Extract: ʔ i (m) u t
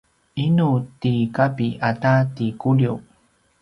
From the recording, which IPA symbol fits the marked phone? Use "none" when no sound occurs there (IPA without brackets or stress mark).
n